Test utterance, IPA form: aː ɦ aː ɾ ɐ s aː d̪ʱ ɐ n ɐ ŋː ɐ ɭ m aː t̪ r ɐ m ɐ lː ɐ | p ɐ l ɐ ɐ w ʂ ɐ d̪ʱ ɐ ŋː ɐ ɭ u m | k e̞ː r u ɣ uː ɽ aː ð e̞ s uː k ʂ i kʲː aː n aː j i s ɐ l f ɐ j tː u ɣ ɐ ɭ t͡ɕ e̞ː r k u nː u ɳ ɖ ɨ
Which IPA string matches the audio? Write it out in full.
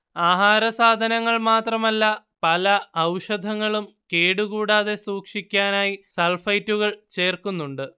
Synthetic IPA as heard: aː ɦ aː ɾ ɐ s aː d̪ʱ ɐ n ɐ ŋː ɐ ɭ m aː t̪ r ɐ m ɐ lː ɐ | p ɐ l ɐ ɐ w ʂ ɐ d̪ʱ ɐ ŋː ɐ ɭ u m | k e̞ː ɽ u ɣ uː ɽ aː ð e̞ s uː k ʂ i kʲː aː n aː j i s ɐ l f ɐ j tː u ɣ ɐ ɭ t͡ɕ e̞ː r k u nː u ɳ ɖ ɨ